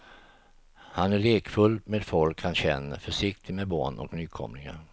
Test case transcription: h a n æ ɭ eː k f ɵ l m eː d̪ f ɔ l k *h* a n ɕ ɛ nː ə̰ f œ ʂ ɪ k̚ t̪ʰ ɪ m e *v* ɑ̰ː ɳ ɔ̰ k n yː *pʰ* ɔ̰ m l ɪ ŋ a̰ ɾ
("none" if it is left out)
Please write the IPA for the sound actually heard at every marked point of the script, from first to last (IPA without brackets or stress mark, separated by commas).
h, b, kʰ